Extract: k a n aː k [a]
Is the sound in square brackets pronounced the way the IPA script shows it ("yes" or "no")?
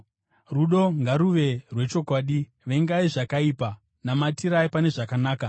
yes